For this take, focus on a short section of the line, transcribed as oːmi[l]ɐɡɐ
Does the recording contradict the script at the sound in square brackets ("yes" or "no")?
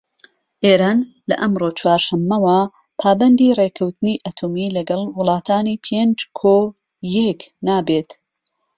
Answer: no